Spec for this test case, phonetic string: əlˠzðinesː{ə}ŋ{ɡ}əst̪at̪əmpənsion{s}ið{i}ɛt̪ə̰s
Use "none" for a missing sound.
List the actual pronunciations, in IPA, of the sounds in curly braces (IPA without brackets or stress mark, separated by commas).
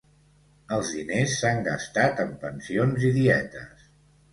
a, ɡ, z, i